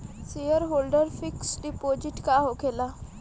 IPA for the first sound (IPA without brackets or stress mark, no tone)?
s